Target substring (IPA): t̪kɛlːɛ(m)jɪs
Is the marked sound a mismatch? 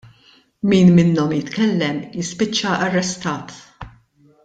no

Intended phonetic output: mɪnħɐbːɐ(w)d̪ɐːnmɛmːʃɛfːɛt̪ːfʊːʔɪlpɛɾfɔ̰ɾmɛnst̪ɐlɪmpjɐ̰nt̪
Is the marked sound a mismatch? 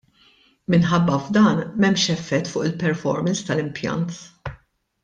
yes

